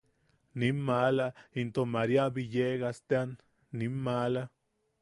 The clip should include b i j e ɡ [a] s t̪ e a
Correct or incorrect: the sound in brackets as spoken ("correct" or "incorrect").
correct